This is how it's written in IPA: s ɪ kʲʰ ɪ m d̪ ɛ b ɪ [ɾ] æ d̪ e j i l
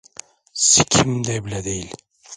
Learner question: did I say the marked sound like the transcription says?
no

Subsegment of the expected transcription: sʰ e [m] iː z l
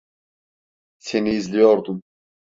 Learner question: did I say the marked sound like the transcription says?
no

